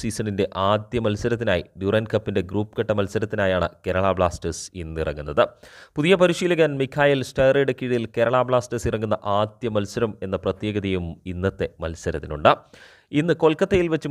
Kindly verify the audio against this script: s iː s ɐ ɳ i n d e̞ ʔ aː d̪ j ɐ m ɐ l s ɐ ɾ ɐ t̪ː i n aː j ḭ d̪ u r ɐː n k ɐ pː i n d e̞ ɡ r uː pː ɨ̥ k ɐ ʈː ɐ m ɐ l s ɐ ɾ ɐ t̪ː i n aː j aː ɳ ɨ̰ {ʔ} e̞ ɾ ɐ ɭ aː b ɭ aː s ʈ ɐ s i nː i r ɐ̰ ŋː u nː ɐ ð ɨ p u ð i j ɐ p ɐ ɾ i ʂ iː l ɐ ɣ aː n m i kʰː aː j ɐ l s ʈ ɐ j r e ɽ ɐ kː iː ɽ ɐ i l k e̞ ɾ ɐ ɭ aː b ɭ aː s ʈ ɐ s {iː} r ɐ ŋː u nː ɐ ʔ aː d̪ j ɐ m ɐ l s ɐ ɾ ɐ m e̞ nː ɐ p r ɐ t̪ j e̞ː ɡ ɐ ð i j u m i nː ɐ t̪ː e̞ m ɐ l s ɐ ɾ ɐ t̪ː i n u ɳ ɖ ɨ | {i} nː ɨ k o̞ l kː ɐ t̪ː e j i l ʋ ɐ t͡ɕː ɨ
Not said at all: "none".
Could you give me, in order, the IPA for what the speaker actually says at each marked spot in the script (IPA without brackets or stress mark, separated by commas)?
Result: k, i, i